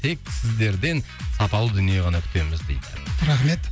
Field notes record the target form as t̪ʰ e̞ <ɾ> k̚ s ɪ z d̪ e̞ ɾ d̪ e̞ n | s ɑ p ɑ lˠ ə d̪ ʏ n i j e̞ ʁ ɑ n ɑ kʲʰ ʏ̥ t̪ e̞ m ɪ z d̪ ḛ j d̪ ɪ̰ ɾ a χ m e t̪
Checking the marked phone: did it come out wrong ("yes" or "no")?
yes